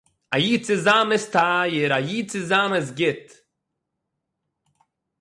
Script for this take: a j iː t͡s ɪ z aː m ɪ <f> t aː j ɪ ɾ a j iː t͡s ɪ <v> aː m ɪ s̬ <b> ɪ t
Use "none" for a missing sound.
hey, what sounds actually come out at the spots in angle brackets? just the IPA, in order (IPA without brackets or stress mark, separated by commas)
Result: s, z, ɡ